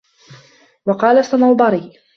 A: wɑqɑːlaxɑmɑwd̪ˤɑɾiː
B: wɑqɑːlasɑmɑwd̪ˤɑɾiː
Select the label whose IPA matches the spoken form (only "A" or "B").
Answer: B